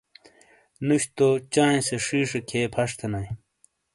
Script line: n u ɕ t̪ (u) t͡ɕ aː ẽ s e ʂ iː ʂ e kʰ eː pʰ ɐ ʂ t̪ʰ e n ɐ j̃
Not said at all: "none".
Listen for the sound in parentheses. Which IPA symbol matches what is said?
o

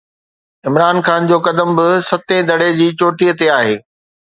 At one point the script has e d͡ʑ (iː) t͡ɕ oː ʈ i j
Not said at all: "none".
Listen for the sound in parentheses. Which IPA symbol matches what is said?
iː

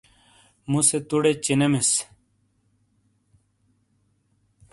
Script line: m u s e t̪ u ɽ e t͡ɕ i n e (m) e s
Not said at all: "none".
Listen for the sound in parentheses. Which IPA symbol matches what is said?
m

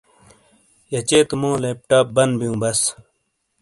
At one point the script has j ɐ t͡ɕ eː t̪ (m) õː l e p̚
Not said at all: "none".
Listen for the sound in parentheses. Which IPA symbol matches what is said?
m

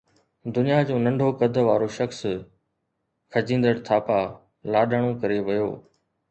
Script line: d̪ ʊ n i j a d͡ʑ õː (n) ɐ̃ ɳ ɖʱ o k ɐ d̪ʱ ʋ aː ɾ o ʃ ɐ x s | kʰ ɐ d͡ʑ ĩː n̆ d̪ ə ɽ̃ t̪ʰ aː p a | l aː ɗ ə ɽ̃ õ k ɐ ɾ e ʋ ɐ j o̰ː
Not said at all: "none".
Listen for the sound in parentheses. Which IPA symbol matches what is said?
n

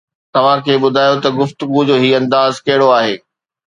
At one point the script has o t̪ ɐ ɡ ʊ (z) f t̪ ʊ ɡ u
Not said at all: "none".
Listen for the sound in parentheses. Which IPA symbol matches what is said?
none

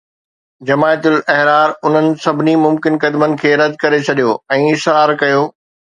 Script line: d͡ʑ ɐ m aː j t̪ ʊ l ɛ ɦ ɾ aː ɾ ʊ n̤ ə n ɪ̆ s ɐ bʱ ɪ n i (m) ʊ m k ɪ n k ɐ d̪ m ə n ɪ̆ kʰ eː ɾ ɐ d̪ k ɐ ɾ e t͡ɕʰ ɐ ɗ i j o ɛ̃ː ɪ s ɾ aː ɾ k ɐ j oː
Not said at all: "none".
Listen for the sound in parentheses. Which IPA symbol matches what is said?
m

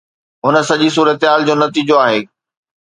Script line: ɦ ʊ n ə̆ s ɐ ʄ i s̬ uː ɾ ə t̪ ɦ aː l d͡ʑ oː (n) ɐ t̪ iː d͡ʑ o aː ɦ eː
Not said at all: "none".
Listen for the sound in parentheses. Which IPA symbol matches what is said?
n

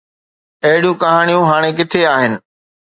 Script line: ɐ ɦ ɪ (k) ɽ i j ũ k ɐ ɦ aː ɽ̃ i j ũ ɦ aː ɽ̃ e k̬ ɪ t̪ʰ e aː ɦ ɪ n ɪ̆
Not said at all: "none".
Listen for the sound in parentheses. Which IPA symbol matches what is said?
none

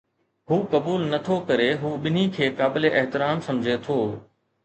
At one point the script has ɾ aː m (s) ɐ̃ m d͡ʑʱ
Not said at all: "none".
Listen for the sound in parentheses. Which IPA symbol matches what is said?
s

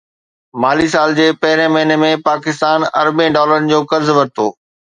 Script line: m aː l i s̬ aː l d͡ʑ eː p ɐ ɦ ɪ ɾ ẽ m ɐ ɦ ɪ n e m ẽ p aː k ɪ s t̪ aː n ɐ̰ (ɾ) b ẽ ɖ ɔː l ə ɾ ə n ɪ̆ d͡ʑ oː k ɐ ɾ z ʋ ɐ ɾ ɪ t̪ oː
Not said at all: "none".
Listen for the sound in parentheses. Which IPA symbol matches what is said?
ɾ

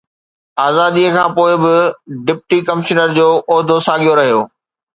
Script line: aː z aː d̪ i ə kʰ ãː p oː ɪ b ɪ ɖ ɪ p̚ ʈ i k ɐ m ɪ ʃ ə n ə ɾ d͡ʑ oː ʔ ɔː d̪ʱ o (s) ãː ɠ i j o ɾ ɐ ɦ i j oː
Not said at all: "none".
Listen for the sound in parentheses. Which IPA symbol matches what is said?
s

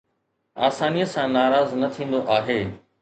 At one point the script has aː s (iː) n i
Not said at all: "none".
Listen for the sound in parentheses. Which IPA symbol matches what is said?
aː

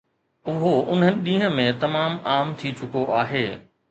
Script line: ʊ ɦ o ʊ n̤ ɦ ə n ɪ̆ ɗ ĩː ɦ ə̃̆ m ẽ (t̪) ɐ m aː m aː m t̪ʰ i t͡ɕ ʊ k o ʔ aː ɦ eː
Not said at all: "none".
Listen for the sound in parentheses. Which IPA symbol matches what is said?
t̪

